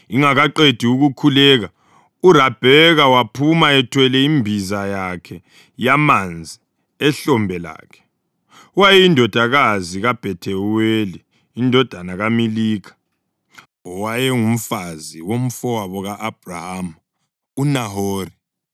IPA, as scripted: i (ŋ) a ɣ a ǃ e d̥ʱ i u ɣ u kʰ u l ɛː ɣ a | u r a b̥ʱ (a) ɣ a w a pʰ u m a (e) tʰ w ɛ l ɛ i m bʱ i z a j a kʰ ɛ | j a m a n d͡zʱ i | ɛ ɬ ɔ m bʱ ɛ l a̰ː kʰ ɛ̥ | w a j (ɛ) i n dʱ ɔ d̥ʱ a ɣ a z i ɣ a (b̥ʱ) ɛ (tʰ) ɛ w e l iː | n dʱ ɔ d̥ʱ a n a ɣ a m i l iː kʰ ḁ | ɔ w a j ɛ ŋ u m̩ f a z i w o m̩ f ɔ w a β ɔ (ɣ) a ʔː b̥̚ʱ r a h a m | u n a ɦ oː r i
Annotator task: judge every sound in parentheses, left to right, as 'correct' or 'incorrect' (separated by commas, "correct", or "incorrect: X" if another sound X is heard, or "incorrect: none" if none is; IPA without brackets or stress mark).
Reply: correct, incorrect: ɛ, incorrect: ɛ, correct, correct, correct, correct